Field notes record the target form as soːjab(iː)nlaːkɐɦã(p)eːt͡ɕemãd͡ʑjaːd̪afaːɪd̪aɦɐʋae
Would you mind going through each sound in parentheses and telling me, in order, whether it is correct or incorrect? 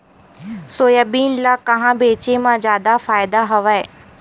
correct, incorrect: b

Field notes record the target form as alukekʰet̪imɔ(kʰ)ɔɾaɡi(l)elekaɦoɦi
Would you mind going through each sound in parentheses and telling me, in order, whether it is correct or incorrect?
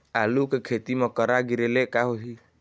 incorrect: k, incorrect: ɾ

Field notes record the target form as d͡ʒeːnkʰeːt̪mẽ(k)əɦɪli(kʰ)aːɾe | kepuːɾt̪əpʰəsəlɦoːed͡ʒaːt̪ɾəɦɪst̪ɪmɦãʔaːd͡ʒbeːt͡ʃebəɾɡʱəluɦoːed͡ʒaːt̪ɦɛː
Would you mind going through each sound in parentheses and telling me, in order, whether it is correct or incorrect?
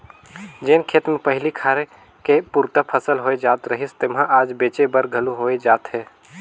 incorrect: p, correct

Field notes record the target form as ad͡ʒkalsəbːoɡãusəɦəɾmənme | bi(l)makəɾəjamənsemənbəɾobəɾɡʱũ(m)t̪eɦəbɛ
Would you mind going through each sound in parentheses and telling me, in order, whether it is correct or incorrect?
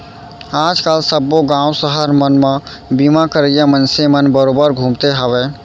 incorrect: none, correct

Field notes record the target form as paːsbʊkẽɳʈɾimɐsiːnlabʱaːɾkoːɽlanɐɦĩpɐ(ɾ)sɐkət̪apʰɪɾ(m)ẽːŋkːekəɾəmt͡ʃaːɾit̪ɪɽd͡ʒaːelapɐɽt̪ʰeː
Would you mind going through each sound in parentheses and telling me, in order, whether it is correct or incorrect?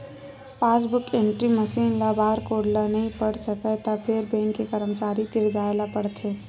incorrect: ɽ, incorrect: b

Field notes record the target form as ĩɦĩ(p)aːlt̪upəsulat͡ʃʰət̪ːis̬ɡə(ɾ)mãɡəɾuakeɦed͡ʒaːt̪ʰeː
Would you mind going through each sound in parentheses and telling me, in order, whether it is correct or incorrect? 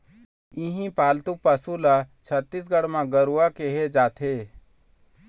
correct, incorrect: ɽ

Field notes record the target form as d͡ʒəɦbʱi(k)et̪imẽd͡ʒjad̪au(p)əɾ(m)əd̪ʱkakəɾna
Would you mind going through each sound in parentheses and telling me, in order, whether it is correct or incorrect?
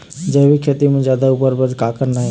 incorrect: kʰ, correct, incorrect: b

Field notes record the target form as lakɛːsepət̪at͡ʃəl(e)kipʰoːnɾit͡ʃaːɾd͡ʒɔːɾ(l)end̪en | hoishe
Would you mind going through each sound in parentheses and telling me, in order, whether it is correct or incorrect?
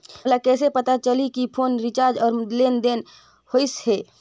incorrect: i, correct

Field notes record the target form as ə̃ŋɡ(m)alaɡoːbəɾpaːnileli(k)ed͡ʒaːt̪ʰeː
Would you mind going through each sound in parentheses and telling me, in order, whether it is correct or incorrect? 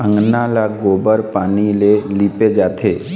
incorrect: n, incorrect: p

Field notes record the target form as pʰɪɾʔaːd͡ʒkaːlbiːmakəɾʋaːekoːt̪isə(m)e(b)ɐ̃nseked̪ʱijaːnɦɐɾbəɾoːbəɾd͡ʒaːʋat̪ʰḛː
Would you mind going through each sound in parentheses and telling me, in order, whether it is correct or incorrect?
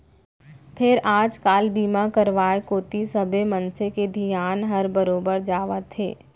incorrect: b, incorrect: m

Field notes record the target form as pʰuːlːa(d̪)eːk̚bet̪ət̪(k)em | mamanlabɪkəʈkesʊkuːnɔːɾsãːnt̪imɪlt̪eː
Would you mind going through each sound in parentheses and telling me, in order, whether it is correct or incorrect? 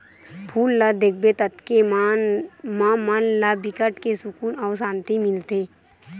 correct, correct

